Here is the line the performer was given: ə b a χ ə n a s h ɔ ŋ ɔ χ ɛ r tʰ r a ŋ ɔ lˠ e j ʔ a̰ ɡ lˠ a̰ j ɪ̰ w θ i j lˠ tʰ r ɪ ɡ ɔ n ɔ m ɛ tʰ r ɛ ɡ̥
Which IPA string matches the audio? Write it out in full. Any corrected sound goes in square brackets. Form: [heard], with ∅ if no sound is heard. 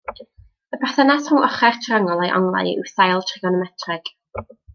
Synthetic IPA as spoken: ə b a [θ] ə n a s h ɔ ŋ ɔ χ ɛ r tʰ r a ŋ ɔ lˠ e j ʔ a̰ [ŋ] lˠ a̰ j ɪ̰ w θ [a] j lˠ tʰ r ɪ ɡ ɔ n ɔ m ɛ tʰ r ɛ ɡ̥